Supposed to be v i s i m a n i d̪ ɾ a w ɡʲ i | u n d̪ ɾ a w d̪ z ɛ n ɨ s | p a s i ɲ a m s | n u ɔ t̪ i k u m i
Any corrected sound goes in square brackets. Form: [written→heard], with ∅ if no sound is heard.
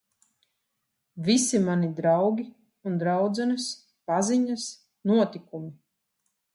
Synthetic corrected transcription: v i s i m a n i d̪ ɾ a w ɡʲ i | u n d̪ ɾ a w d̪ z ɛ n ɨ s | p a [s→z] i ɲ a [m→∅] s | n u ɔ t̪ i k u m i